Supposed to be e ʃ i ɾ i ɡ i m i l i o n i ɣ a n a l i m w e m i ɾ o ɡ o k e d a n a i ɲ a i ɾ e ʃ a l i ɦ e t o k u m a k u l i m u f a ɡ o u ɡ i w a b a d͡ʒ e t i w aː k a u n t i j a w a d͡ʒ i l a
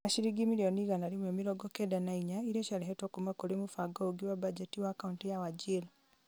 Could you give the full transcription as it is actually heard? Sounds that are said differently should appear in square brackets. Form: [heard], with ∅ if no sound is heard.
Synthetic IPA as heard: [a] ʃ i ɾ i ɡ i m i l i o n i ɣ a n a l i m w e m i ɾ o ɡ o k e d a n a i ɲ a i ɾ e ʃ a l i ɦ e t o k u m a k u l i m u f a ɡ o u ɡ i w a b a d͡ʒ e t i w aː k a u n t i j a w a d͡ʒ i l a